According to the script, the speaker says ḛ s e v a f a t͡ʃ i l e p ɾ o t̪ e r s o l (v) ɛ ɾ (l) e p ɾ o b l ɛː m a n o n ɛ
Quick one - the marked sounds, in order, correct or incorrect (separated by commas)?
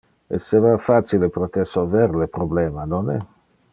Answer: correct, correct